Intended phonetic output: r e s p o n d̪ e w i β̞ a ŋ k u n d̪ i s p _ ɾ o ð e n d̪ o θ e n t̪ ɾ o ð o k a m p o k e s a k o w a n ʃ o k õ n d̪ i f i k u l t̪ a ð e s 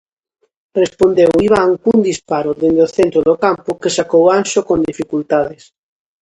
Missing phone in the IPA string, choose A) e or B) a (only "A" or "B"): B